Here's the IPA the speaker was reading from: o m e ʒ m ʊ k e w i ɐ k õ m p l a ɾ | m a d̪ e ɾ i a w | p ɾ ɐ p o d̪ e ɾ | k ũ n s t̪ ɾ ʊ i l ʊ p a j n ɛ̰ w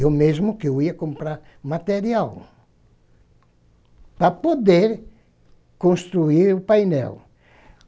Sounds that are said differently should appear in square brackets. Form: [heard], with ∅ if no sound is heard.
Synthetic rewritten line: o m e [z] m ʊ k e w i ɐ k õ m p [ɾ] a ɾ | m a [t̪] e ɾ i a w | p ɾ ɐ p o d̪ e ɾ | k [õ] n s t̪ ɾ [u] i [ɾ] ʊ p a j n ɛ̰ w

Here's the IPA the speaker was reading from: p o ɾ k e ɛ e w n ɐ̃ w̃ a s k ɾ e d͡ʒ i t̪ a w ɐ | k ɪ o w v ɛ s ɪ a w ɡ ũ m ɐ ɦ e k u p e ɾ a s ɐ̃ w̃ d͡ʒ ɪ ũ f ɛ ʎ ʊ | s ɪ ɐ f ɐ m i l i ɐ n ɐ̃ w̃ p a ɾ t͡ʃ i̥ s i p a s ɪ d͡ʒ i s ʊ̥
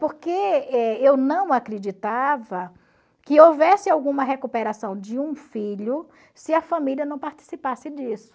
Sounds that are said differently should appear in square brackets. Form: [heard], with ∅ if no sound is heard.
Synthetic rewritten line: p o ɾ k e ɛ e w n ɐ̃ w̃ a [∅] k ɾ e d͡ʒ i t̪ a [v] ɐ | k ɪ o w v ɛ s ɪ a w ɡ ũ m ɐ ɦ e k u p e ɾ a s ɐ̃ w̃ d͡ʒ ɪ ũ f [i] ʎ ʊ | s ɪ ɐ f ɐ m i l i ɐ n ɐ̃ w̃ p a ɾ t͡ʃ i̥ s i p a s ɪ d͡ʒ i s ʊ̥

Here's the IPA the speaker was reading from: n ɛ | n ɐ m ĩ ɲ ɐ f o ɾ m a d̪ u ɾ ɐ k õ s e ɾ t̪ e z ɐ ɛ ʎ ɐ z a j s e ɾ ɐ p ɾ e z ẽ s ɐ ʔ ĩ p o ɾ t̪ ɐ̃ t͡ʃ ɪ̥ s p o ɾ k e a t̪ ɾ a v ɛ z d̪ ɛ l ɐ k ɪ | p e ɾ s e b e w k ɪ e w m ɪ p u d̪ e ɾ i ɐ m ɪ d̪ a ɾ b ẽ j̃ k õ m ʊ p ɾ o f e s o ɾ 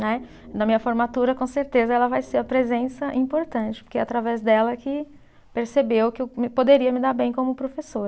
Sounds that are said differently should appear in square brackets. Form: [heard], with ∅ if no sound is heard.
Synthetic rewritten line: n ɛ | n ɐ m ĩ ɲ ɐ f o ɾ m a [t̪] u ɾ ɐ k õ s e ɾ t̪ e z ɐ ɛ [l] ɐ [v] a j s e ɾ ɐ p ɾ e z ẽ s ɐ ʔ ĩ p o ɾ t̪ ɐ̃ t͡ʃ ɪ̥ [∅] p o ɾ k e a t̪ ɾ a v ɛ z d̪ ɛ l ɐ k ɪ | p e ɾ s e b e w k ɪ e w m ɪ p [o] d̪ e ɾ i ɐ m ɪ d̪ a ɾ b ẽ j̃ k õ m ʊ p ɾ o f e s o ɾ

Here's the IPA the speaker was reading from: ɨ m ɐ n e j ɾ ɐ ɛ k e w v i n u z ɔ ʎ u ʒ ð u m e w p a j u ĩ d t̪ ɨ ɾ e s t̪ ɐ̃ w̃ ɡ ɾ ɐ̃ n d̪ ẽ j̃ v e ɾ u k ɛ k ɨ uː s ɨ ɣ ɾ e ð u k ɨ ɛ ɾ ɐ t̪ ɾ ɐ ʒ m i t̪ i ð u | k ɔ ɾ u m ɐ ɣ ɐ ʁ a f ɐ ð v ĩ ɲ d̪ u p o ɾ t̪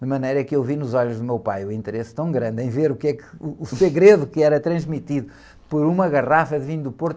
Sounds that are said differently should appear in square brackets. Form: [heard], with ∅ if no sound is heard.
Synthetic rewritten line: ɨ m ɐ n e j ɾ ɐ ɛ k e w v i n u z ɔ ʎ u ʒ ð u m e w p a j u ĩ [n] t̪ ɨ ɾ e s t̪ ɐ̃ w̃ ɡ ɾ ɐ̃ n d̪ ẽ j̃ v e ɾ u k ɛ k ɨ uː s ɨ ɣ ɾ e ð u k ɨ ɛ ɾ ɐ t̪ ɾ [ɐ̃] ʒ m i t̪ i ð u | [p] ɔ ɾ u m ɐ ɣ ɐ ʁ a f ɐ ð v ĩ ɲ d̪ u p o ɾ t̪

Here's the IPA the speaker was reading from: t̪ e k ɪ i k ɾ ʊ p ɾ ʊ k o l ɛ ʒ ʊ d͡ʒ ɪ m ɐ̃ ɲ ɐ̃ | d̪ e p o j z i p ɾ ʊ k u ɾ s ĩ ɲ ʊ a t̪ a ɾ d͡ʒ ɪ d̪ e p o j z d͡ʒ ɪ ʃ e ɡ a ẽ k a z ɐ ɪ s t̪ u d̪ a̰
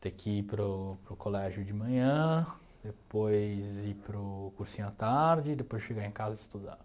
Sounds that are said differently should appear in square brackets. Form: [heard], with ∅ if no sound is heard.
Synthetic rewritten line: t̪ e k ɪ i [p] ɾ ʊ p ɾ ʊ k o l ɛ ʒ ʊ d͡ʒ ɪ m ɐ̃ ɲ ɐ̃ | d̪ e p o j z i p ɾ ʊ k u ɾ s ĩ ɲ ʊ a t̪ a ɾ d͡ʒ ɪ d̪ e p o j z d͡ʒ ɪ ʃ e ɡ a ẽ k a z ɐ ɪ s t̪ u d̪ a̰

